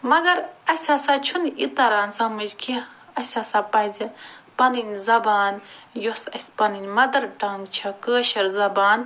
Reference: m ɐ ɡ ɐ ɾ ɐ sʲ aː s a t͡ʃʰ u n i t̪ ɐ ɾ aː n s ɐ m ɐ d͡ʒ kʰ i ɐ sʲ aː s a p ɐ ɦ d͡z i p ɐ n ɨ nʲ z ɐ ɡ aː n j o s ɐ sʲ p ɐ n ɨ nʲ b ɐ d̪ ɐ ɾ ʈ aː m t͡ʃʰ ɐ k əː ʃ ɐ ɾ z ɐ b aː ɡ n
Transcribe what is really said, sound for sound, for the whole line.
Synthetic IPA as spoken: m ɐ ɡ ɐ ɾ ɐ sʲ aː s a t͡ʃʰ u n i t̪ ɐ ɾ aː n s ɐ m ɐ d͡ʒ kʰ i ɐ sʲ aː s a p ɐ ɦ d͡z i p ɐ n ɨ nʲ z ɐ b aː n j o s ɐ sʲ p ɐ n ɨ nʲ m ɐ d̪ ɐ ɾ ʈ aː m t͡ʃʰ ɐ k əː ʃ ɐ ɾ z ɐ b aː n